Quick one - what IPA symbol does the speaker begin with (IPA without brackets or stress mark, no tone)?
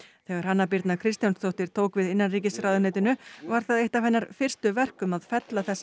θ